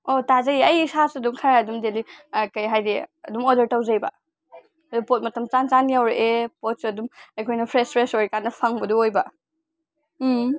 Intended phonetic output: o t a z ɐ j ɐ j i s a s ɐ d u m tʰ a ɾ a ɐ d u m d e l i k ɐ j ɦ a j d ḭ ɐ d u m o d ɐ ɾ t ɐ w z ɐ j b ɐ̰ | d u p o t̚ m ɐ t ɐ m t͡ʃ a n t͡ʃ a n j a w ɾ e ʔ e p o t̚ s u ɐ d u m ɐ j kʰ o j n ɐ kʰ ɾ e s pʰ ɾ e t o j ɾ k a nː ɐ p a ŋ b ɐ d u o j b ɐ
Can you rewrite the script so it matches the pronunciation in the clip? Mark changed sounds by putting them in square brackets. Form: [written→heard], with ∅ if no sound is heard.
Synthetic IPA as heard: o t a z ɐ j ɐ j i s a s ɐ d u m [tʰ→kʰ] a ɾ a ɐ d u m d e l i k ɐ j ɦ a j d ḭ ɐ d u m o d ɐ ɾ t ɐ w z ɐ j b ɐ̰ | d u p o t̚ m ɐ t ɐ m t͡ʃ a n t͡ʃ a n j a w ɾ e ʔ e p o t̚ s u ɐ d u m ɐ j kʰ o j n ɐ [kʰ→pʰ] ɾ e s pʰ ɾ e [t→s] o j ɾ k a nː ɐ [p→pʰ] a ŋ b ɐ d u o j b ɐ